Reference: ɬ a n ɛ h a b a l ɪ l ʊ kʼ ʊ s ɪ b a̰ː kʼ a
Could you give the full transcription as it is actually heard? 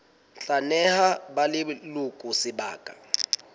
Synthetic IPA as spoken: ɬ a n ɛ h a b a l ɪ l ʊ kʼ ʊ s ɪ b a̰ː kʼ a